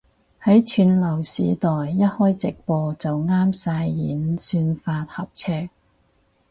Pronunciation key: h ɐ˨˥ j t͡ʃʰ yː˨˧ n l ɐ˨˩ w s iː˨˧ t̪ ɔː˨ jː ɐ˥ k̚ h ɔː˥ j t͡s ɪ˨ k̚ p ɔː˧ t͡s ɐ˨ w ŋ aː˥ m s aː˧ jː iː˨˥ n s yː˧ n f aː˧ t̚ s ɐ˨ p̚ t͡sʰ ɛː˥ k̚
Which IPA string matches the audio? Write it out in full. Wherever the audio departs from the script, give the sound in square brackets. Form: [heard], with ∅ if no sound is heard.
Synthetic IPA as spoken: h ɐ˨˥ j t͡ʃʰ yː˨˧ n l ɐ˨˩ w s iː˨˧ t̪ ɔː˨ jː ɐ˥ [t̚] h ɔː˥ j t͡s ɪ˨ k̚ p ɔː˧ t͡s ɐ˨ w ŋ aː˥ m s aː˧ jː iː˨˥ n s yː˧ n f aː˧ t̚ [h] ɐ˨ p̚ t͡sʰ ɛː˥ k̚